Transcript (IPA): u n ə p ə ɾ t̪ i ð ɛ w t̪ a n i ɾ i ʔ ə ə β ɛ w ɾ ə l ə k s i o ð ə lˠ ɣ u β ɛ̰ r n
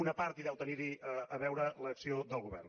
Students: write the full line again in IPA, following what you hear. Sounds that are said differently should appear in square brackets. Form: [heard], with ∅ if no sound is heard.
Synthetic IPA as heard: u n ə p [a] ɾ t̪ i ð ɛ w t̪ [ə] n i ɾ i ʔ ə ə β ɛ w ɾ ə l ə k s i o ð ə lˠ ɣ u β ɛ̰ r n